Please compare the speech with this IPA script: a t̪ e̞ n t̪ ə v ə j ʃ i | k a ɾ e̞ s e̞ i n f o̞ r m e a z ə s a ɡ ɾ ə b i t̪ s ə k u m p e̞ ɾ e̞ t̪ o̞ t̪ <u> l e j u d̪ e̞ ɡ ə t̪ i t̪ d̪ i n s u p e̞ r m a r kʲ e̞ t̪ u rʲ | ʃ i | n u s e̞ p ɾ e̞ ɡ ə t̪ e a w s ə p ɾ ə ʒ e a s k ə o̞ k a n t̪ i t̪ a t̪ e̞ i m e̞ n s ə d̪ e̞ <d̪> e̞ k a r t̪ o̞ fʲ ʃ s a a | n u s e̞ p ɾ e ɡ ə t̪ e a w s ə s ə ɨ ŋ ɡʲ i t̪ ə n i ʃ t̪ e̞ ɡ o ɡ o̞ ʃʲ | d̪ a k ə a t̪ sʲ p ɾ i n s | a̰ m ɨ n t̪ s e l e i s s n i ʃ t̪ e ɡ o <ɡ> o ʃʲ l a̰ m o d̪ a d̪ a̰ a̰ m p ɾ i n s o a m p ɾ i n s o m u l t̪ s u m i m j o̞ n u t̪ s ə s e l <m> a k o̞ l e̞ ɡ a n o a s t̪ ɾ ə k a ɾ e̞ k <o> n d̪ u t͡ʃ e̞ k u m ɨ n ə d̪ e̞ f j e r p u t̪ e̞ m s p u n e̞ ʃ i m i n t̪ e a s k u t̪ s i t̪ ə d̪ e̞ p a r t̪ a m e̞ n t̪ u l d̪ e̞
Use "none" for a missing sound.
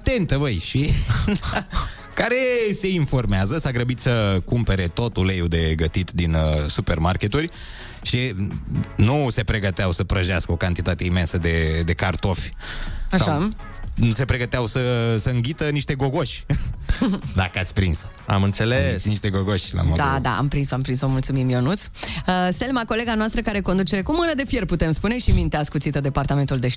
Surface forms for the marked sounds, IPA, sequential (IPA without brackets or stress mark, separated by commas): u, d̪, ɡ, m, o